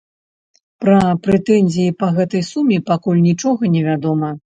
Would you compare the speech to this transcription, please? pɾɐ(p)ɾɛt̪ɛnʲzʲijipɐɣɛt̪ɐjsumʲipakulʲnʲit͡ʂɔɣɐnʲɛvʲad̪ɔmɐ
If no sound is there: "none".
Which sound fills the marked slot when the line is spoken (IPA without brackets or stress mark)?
p